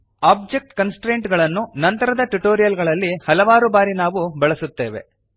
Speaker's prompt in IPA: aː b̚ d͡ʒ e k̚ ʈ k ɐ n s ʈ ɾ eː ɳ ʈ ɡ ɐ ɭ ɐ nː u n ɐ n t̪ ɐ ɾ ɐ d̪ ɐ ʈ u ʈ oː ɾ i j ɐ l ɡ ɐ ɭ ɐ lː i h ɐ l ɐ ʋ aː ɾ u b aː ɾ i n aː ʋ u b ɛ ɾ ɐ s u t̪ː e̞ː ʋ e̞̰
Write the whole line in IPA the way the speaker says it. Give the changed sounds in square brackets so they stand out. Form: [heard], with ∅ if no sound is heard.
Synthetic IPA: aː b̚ d͡ʒ e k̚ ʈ k ɐ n s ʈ ɾ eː ɳ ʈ ɡ ɐ ɭ ɐ nː u n ɐ n t̪ ɐ ɾ ɐ d̪ ɐ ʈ u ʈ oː ɾ i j ɐ l ɡ ɐ ɭ ɐ lː i h ɐ l ɐ ʋ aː ɾ u b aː ɾ i n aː ʋ u b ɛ [ɭ] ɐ s u t̪ː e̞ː ʋ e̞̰